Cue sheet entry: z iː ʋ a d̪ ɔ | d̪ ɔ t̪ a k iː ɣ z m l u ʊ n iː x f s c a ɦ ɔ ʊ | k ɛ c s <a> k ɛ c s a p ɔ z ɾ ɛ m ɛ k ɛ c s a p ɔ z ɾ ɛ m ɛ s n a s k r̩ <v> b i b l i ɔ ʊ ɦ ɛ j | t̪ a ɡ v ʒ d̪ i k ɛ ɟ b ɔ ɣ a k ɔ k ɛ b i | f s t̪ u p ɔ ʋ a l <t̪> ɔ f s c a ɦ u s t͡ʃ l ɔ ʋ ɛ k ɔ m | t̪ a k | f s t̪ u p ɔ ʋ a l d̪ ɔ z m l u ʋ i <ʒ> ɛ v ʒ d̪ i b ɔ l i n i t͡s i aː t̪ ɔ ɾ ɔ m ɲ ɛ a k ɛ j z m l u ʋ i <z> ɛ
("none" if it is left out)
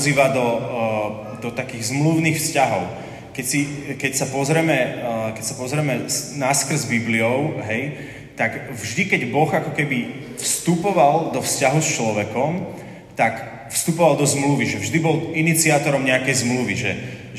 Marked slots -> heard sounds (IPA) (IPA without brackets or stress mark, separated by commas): i, z, d̪, ʒ, ʒ